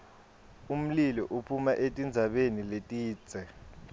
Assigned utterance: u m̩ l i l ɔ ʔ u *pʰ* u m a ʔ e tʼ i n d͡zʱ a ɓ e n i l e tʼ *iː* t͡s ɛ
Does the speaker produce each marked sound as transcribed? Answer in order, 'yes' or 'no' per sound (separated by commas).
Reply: yes, yes